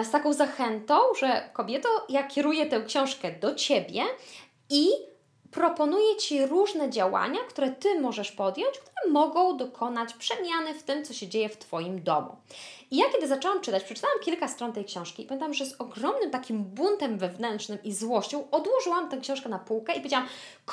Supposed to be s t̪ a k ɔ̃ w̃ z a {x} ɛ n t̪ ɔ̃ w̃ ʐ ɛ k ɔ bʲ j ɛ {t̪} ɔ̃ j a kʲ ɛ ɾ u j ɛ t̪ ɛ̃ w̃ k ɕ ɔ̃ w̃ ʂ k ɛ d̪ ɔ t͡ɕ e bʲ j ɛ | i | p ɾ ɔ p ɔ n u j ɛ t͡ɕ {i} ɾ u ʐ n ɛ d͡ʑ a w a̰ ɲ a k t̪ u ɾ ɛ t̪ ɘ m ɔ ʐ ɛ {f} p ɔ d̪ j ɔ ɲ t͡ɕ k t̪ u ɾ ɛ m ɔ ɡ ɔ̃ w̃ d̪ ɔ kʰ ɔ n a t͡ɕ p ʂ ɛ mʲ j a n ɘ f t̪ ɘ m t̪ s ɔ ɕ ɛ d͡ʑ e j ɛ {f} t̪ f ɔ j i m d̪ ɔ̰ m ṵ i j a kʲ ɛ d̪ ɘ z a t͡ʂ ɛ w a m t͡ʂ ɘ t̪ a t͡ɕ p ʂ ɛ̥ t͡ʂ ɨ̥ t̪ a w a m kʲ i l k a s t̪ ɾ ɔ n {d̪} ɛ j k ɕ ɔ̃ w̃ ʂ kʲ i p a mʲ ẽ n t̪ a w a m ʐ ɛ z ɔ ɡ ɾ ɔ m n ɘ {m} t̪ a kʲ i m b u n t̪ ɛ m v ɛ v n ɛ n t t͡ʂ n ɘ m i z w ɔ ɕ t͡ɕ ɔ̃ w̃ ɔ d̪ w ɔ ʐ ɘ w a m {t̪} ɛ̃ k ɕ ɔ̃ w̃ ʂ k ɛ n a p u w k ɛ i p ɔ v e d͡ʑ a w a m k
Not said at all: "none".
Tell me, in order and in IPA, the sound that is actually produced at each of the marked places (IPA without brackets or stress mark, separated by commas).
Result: x, t̪, i, ʂ, f, t̪, m, t̪